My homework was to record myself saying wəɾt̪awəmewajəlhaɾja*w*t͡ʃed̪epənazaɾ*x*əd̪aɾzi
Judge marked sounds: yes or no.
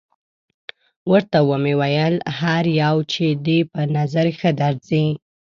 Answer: yes, yes

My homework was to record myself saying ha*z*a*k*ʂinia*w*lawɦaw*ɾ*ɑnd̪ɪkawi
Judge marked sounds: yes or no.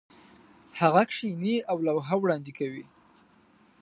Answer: no, yes, yes, no

